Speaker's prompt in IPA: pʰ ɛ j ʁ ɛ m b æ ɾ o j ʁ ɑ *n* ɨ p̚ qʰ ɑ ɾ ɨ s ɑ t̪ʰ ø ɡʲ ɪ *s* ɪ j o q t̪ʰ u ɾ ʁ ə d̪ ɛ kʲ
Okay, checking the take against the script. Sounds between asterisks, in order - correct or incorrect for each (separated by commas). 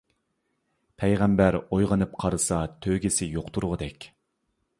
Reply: correct, correct